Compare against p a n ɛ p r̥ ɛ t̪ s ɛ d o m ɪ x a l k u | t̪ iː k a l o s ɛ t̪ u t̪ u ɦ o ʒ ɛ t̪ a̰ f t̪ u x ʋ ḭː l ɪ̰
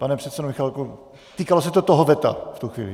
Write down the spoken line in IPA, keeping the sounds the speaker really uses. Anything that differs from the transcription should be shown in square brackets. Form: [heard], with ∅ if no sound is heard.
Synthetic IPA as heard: p a n ɛ p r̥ ɛ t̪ s ɛ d o m ɪ x a l k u | t̪ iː k a l o s ɛ t̪ [o] t̪ [o] ɦ o [v] ɛ t̪ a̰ f t̪ u x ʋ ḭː l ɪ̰